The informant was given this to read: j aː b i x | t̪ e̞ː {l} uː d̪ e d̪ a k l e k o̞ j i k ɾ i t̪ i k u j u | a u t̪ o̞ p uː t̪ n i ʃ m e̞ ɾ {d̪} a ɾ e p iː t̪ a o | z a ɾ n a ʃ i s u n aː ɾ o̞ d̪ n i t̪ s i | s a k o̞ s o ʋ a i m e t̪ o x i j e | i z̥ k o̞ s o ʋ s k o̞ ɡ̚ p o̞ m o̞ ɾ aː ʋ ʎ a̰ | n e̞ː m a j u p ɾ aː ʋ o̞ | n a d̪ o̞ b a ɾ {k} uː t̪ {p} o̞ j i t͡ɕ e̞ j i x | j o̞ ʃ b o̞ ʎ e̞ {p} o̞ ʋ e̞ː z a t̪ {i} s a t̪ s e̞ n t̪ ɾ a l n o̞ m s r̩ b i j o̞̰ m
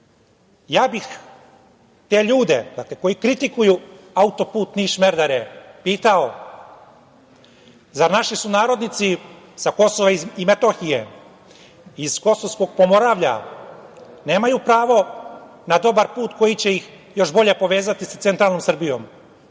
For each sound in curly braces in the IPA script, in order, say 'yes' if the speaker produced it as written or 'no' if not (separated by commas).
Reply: no, yes, no, no, yes, yes